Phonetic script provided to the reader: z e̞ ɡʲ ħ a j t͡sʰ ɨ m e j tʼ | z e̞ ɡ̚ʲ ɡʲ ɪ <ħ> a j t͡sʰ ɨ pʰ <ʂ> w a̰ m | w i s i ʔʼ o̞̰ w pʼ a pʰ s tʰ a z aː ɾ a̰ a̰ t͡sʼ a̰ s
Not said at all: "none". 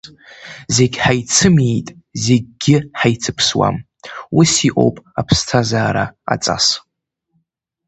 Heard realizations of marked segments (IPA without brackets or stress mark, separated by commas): ħ, s